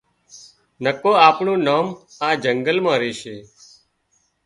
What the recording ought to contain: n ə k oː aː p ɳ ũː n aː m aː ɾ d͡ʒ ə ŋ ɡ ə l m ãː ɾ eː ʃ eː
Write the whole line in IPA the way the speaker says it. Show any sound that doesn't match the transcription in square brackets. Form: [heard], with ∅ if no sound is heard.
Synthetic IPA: n ə k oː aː p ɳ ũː n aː m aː [∅] d͡ʒ ə ŋ ɡ ə l m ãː ɾ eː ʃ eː